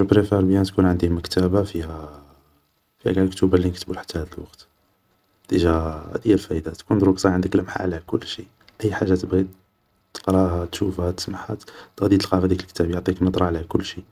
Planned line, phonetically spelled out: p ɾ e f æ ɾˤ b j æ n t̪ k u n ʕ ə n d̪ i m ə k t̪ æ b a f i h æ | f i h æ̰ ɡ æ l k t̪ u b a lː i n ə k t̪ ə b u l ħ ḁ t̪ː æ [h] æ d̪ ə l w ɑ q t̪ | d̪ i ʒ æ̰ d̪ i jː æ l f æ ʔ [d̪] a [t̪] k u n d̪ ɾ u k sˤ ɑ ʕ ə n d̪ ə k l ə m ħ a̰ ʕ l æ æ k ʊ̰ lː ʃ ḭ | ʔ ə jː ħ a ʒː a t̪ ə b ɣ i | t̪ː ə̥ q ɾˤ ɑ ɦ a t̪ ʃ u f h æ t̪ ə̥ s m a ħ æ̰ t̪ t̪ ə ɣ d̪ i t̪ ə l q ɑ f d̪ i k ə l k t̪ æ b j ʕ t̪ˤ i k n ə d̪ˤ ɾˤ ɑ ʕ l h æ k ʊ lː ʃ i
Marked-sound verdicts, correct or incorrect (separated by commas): correct, correct, correct